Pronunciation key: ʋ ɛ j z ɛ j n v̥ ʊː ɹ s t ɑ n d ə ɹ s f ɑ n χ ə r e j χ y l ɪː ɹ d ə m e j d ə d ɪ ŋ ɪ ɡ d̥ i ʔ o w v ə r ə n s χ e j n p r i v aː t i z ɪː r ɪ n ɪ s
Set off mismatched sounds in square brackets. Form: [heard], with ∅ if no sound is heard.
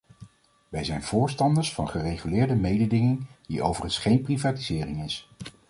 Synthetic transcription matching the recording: ʋ ɛ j z ɛ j n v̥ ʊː ɹ s t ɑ n d ə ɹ s f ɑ n χ ə r e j χ y l ɪː ɹ d ə m e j d ə d ɪ ŋ ɪ [ŋ] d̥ i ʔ o w v ə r ə n s χ e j n p r i v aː t i z ɪː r ɪ [ŋ] ɪ s